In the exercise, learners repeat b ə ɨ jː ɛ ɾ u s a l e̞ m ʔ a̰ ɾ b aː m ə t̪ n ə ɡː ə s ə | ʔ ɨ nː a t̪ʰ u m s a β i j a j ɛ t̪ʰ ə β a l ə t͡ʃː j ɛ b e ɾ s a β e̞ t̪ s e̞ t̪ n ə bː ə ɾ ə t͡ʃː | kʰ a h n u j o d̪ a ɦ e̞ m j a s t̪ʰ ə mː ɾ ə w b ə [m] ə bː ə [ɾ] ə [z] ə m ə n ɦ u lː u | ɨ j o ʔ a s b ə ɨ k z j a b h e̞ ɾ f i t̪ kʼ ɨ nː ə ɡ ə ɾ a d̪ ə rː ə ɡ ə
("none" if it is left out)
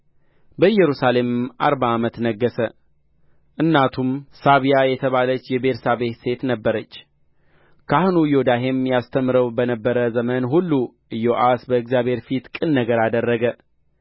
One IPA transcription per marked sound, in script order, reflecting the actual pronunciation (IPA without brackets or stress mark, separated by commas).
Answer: n, ɾ, z